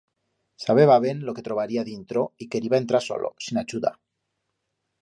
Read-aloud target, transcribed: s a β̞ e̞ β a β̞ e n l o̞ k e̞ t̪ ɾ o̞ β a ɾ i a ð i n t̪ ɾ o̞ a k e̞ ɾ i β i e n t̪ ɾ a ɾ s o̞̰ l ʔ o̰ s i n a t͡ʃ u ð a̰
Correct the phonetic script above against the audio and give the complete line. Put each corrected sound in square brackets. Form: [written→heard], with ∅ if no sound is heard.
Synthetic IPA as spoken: s a β̞ e̞ β a β̞ e n l o̞ k e̞ t̪ ɾ o̞ β a ɾ i a ð i n t̪ ɾ o̞ [a→i] k e̞ ɾ i β [i→a] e n t̪ ɾ a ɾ s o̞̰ l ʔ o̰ s i n a t͡ʃ u ð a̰